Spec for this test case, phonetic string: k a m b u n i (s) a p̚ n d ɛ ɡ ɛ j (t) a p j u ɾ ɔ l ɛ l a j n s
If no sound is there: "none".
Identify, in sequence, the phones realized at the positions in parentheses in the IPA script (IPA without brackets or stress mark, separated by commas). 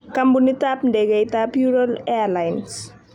t, t